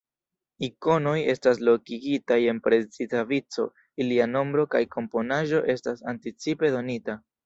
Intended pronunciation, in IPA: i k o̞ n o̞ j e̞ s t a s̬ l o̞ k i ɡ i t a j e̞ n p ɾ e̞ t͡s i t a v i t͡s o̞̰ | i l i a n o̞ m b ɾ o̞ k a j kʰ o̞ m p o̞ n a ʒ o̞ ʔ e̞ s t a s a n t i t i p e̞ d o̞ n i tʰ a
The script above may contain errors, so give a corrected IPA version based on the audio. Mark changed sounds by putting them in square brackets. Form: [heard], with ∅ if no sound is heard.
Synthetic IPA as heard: i k o̞ n o̞ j e̞ s t a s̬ l o̞ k i ɡ i t a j e̞ n p ɾ e̞ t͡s i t a v i t͡s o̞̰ | i l i a n o̞ m b ɾ o̞ k a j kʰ o̞ m p o̞ n a ʒ o̞ ʔ e̞ s t a s a n t i [t͡s] i p e̞ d o̞ n i [t] a